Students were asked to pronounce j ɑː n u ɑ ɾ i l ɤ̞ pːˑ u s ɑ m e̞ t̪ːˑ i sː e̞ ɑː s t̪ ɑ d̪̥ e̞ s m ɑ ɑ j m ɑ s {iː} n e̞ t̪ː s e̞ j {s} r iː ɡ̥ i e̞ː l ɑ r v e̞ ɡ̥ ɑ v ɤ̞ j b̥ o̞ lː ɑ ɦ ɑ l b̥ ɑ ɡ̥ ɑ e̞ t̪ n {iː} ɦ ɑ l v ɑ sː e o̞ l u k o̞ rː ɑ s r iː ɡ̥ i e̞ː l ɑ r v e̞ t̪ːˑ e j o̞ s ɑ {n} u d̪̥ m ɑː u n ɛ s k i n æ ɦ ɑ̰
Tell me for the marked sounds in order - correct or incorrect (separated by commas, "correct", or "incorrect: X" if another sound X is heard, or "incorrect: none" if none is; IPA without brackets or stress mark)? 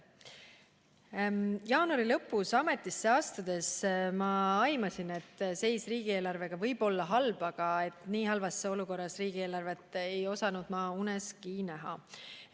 incorrect: i, correct, correct, correct